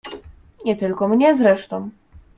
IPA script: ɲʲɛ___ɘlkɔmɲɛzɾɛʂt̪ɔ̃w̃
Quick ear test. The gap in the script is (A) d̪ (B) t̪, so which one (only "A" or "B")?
B